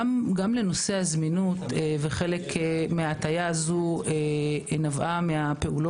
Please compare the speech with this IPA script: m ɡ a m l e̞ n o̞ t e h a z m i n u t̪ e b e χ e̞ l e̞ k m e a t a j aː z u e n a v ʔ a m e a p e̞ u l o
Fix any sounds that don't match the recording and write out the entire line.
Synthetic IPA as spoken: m ɡ a m l e̞ n o̞ s e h a z m i n u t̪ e v e χ e̞ l e̞ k m e a t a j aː z u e n a v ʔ a m e a p e̞ u l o